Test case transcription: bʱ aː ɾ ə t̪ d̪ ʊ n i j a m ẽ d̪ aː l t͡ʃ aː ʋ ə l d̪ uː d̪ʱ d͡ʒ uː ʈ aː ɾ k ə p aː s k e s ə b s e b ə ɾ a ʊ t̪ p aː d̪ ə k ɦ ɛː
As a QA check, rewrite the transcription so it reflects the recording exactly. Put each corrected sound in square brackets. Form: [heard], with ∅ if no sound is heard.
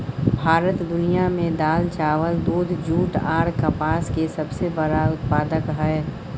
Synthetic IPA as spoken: bʱ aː ɾ ə t̪ d̪ ʊ n i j a m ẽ d̪ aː l t͡ʃ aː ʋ ə l d̪ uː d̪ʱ d͡ʒ uː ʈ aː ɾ k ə p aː s k e s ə b s e b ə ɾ a ʊ t̪ p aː d̪ ə k ɦ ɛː